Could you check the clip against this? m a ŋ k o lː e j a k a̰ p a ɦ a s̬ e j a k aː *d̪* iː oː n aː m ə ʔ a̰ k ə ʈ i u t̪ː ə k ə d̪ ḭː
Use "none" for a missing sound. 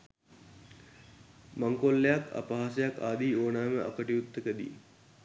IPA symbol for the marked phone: d̪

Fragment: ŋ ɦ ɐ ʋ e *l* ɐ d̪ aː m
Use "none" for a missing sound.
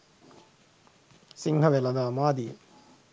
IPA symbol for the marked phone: l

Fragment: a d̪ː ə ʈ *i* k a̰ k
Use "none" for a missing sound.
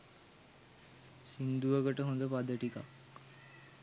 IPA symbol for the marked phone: i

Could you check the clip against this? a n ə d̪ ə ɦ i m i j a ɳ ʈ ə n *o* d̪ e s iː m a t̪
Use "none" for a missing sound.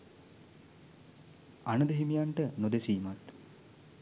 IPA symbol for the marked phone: o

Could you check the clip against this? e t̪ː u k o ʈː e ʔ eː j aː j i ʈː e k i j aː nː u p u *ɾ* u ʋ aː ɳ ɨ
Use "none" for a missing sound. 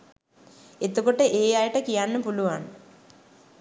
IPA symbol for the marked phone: l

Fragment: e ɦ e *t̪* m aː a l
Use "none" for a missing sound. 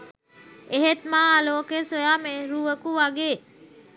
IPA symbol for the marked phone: t̪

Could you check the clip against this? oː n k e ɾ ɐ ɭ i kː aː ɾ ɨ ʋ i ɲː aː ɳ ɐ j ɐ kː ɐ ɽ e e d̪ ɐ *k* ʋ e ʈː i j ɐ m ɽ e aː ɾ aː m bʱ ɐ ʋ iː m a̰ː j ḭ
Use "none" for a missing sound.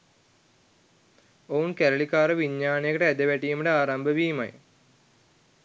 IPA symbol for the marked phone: none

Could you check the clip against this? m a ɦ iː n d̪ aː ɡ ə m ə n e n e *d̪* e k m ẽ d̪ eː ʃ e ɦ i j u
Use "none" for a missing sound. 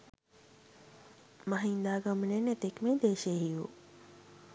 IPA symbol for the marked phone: t̪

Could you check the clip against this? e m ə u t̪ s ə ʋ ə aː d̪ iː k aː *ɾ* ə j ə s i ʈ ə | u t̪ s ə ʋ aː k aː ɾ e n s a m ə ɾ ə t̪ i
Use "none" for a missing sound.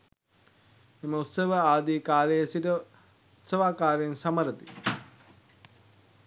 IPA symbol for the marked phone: l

